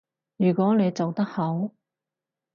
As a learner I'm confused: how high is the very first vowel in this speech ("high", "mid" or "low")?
high